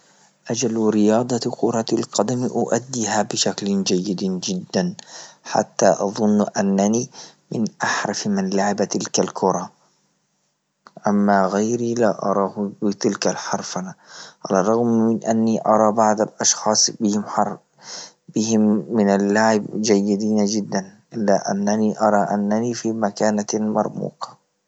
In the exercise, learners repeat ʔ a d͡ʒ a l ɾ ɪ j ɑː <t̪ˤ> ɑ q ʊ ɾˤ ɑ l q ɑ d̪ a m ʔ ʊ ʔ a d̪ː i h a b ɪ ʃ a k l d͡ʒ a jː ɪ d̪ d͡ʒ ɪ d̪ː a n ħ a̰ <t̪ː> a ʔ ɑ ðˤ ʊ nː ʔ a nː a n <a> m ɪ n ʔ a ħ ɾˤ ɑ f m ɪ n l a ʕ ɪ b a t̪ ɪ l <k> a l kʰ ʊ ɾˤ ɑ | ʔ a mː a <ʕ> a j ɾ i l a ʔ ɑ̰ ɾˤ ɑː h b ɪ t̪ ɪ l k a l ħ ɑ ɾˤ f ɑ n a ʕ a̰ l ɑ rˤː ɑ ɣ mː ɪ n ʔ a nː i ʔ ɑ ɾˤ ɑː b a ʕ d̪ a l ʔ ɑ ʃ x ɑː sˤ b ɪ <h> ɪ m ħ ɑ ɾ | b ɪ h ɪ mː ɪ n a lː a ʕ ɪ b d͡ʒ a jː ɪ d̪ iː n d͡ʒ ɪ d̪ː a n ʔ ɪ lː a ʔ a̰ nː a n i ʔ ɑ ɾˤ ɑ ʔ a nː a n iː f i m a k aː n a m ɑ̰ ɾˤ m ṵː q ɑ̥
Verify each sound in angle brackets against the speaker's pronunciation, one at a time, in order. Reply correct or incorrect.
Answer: incorrect: d̪ˤ, correct, incorrect: i, correct, incorrect: ɣ, correct

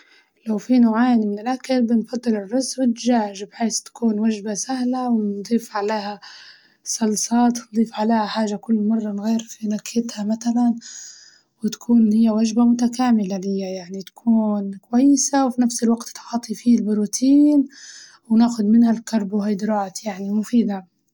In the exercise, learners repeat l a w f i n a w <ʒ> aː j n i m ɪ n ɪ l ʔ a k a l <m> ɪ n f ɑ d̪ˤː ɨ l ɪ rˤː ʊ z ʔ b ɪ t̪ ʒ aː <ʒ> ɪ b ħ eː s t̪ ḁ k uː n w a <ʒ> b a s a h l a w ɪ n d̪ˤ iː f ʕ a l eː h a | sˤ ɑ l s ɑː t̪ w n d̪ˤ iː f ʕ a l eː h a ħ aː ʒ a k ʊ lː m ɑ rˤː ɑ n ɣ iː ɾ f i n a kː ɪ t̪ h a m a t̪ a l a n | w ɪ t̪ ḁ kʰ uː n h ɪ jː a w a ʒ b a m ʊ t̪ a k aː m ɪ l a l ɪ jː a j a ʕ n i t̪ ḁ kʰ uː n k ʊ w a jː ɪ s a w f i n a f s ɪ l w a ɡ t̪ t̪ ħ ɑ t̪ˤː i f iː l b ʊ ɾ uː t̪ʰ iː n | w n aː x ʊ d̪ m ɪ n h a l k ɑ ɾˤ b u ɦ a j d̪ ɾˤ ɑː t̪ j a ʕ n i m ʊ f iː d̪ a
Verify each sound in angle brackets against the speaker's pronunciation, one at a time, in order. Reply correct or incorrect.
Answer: incorrect: ʕ, incorrect: b, correct, correct

